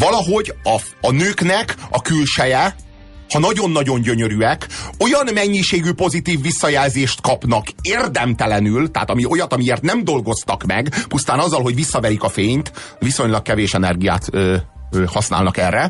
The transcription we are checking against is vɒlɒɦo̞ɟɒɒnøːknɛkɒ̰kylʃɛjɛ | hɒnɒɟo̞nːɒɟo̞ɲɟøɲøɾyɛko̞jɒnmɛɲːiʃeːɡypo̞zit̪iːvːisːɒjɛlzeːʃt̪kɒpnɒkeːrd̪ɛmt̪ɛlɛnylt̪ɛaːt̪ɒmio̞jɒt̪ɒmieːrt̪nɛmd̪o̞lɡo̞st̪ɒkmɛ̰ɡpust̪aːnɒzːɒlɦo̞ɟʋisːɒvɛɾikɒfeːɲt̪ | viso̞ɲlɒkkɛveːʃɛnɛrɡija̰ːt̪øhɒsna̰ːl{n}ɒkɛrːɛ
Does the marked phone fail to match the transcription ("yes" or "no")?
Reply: no